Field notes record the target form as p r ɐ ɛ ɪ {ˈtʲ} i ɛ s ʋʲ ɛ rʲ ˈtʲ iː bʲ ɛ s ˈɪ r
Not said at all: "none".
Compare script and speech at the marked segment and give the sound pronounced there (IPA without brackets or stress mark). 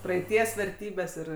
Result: tʲ